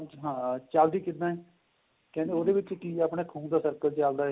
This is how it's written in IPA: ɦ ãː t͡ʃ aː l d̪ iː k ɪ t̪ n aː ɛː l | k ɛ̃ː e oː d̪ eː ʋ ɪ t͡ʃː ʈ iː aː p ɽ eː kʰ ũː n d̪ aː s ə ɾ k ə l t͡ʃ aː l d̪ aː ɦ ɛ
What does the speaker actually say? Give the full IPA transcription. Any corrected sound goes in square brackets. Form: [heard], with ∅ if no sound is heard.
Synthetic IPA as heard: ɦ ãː t͡ʃ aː l d̪ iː k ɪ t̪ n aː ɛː [∅] | k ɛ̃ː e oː d̪ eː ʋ ɪ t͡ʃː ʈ iː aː p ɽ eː kʰ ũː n d̪ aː s ə ɾ k ə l t͡ʃ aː l d̪ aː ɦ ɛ